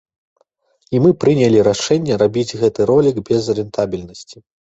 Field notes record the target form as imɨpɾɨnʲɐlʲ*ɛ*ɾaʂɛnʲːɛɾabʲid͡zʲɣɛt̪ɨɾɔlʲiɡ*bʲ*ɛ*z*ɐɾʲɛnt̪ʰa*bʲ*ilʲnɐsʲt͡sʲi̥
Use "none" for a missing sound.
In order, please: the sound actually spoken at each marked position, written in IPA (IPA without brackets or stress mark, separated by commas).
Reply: i, bʲ, z, bʲ